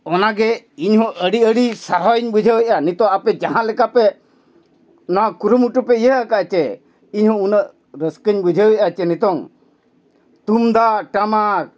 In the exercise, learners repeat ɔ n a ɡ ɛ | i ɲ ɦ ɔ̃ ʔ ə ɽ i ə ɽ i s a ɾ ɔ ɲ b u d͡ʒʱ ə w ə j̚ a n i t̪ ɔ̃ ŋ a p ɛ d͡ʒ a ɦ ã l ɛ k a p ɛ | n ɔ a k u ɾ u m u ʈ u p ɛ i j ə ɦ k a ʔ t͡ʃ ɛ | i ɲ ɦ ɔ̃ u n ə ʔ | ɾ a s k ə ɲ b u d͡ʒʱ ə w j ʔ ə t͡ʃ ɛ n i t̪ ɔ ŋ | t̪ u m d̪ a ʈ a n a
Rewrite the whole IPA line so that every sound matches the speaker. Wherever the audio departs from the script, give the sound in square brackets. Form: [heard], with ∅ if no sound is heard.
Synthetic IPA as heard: ɔ n a ɡ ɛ | i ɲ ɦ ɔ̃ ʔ ə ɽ i ə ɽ i s a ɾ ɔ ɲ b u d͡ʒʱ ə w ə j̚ a n i t̪ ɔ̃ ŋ a p ɛ d͡ʒ a ɦ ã l ɛ k a p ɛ | n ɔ a k u ɾ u m u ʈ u p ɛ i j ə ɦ k a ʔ t͡ʃ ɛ | i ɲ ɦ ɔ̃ u n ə ʔ | ɾ [ə] s k ə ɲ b u d͡ʒʱ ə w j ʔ [a] t͡ʃ ɛ n i t̪ ɔ ŋ | t̪ u m d̪ a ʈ a [m] a